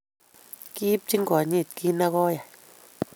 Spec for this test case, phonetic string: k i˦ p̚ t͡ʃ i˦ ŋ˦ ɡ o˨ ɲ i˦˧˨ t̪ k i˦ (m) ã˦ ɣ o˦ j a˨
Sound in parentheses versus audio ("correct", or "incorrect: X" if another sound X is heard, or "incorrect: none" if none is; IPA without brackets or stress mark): incorrect: n